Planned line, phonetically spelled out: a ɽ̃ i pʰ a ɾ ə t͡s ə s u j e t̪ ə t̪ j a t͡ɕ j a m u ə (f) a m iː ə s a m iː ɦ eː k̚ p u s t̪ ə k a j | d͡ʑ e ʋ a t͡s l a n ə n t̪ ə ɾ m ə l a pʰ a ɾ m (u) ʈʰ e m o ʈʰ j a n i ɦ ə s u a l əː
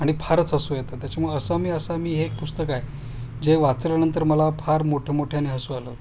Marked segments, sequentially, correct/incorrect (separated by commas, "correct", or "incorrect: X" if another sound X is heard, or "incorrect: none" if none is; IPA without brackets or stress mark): incorrect: s, incorrect: o